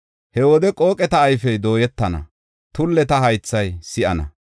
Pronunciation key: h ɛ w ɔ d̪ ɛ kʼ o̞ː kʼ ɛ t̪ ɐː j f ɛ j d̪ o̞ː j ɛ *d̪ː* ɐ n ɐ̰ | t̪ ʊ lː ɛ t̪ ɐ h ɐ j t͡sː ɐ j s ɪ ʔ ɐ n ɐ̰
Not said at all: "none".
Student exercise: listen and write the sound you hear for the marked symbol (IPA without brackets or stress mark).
t̪ː